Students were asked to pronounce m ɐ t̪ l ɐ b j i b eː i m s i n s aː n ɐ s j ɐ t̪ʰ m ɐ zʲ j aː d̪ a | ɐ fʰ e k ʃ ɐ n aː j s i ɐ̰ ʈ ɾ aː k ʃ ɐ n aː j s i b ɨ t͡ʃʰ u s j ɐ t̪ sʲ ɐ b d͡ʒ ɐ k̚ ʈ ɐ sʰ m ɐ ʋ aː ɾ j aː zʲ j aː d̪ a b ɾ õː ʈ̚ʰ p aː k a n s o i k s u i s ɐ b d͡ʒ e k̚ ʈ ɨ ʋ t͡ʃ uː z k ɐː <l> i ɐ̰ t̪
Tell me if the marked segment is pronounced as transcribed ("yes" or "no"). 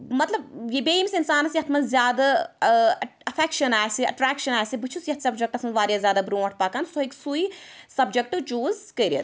no